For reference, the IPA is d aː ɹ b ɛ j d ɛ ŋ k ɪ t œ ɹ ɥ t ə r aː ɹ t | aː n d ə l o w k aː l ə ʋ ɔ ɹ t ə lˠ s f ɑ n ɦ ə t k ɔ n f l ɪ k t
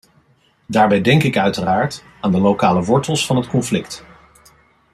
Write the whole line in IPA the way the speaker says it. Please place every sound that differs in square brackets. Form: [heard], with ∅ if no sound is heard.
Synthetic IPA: d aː ɹ b ɛ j d ɛ ŋ k ɪ [k] œ [∅] ɥ t ə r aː ɹ t | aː n d ə l o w k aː l ə ʋ ɔ ɹ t ə lˠ s f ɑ n ɦ ə t k ɔ n f l ɪ k t

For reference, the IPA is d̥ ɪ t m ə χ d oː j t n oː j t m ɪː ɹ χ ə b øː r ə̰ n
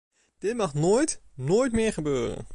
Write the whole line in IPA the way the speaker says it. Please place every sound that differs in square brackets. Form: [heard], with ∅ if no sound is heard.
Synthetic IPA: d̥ ɪ t m [ɑ] χ [n] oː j t n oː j t m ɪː ɹ χ ə b øː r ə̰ n

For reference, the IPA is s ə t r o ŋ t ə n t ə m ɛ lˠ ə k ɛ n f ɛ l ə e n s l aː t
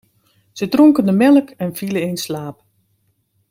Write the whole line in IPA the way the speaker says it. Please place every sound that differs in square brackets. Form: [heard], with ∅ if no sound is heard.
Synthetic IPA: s ə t r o ŋ [k] ə n [d] ə m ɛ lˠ ə k ɛ n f [i] l ə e n s l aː [p]

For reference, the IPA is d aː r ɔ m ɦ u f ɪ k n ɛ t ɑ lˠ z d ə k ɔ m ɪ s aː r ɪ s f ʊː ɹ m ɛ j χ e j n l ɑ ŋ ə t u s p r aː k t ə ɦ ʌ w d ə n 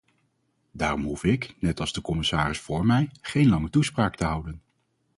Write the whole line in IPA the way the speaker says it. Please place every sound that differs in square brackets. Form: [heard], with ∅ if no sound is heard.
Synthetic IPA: d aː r ɔ m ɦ u f ɪ k n ɛ t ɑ lˠ z d ə k ɔ m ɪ s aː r ɪ s f ʊː ɹ m ɛ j χ e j n l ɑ ŋ ə t u s p r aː k t ə ɦ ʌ w d ə n

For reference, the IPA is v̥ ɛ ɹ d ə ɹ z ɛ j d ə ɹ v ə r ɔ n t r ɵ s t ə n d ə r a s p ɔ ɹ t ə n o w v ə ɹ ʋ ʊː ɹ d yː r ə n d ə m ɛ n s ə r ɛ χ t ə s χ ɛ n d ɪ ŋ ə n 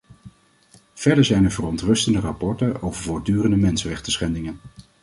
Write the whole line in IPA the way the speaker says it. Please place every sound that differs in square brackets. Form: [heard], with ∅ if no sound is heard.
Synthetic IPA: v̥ ɛ ɹ d ə ɹ z ɛ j [n] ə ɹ v ə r ɔ n t r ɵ s t ə n d ə r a [∅] p ɔ ɹ t ə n o w v ə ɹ [v] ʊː ɹ d yː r ə n d ə m ɛ n s ə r ɛ χ t ə s χ ɛ n d ɪ ŋ ə n

